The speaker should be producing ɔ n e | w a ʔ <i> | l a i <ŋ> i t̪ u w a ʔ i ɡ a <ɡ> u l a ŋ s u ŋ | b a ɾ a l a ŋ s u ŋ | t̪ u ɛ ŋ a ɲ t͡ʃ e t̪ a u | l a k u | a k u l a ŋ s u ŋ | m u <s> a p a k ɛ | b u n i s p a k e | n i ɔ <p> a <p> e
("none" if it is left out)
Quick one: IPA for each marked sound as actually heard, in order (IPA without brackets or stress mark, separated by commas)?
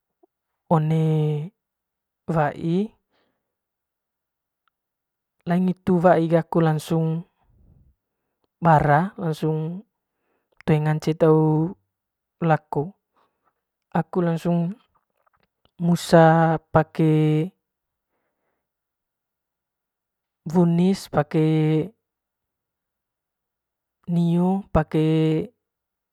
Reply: i, ŋ, k, s, p, k